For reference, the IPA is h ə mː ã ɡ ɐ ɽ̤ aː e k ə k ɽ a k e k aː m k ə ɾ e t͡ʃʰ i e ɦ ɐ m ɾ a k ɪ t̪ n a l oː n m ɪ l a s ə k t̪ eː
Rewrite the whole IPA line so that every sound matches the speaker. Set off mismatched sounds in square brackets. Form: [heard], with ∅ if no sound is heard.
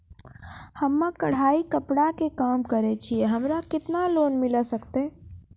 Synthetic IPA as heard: h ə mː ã [k] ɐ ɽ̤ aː [i] k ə [p] ɽ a k e k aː m k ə ɾ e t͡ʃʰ i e ɦ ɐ m ɾ a k ɪ t̪ n a l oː n m ɪ l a s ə k t̪ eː